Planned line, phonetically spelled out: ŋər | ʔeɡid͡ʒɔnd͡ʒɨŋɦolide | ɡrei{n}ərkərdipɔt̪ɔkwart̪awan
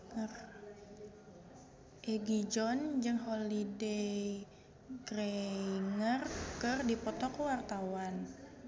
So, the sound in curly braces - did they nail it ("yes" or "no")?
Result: no